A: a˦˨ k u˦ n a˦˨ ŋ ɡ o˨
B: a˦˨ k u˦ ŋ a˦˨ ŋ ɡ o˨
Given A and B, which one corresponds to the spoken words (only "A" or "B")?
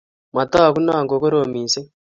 A